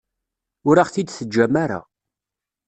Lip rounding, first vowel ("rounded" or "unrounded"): rounded